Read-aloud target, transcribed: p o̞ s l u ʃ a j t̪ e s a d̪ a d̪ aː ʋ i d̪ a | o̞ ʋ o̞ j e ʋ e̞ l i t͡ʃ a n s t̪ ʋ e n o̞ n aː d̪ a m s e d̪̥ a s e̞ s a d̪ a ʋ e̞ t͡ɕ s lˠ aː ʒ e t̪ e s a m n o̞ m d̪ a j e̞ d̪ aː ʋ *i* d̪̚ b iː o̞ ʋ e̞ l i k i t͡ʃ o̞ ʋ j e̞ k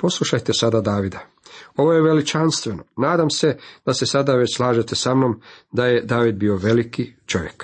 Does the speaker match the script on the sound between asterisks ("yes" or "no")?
yes